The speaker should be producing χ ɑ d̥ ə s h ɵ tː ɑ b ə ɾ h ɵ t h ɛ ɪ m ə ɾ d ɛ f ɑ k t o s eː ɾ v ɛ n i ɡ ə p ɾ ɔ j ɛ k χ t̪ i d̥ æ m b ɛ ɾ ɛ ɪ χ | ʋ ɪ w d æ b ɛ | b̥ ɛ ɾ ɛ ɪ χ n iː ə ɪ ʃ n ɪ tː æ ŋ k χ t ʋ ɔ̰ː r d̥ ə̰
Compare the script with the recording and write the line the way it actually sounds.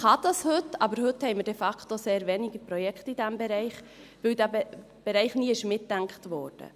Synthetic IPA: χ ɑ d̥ ɑ s h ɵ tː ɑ b ə ɾ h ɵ t h ɛ ɪ m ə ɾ d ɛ f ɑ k t o s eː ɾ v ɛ n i ɡ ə p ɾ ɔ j ɛ k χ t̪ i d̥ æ m b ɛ ɾ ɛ ɪ χ | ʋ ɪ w d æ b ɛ | b̥ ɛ ɾ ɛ ɪ χ n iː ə ɪ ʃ m ɪ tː æ ŋ k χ t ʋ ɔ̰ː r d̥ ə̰